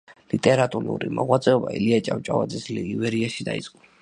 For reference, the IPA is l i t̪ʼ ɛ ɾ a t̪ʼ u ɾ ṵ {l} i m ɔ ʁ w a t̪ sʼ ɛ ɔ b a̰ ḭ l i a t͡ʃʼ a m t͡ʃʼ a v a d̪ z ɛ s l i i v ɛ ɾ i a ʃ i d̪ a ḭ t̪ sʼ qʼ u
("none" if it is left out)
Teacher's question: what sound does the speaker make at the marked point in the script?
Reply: ɾ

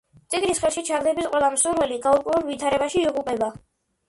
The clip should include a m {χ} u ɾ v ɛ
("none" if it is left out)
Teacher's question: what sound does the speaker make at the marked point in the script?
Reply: s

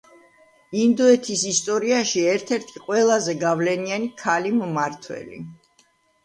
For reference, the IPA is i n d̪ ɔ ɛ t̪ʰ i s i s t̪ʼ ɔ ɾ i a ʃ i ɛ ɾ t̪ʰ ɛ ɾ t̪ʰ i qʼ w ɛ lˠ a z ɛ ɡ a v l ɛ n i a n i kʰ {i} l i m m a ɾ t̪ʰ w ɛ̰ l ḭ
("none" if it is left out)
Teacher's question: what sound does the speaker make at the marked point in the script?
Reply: a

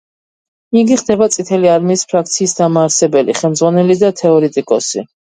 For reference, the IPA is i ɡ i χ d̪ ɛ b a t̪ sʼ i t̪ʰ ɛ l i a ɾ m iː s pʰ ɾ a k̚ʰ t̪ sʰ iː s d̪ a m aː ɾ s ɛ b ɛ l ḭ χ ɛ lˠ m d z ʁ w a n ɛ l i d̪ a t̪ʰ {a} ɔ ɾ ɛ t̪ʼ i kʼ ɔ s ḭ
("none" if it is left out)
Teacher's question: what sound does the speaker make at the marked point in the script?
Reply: ɛ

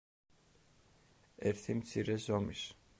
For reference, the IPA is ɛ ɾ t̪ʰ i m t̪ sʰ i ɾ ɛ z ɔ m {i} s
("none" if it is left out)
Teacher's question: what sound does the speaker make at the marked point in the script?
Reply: i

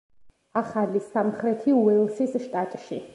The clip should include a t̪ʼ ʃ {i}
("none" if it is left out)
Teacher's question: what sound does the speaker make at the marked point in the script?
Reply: i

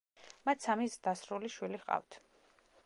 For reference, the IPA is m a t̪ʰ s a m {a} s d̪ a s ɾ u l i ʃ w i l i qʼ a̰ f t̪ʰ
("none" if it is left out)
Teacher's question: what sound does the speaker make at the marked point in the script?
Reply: i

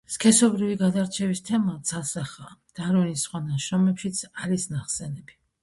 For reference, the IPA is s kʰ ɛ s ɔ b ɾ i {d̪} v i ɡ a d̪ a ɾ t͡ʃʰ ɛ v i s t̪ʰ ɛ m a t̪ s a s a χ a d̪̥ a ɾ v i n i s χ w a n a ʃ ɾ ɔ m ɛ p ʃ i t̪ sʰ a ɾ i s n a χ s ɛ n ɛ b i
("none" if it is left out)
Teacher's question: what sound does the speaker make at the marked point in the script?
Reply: none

